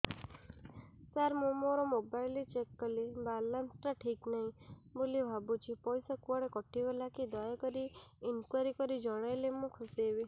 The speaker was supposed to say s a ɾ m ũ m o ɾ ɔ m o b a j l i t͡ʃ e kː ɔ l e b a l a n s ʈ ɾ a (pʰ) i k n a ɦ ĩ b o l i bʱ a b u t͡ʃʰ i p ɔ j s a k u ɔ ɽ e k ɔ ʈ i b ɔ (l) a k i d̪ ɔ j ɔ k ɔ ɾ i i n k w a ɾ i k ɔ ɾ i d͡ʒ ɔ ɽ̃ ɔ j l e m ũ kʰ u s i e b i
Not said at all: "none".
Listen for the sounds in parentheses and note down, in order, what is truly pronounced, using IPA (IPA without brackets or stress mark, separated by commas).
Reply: ʈʰ, l